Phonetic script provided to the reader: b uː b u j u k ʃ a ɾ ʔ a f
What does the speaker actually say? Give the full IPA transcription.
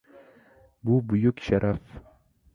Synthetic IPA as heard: b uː b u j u k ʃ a ɾ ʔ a f